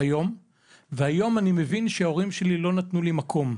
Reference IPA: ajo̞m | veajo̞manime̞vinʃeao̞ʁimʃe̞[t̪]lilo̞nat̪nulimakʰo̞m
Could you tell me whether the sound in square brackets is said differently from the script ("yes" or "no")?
yes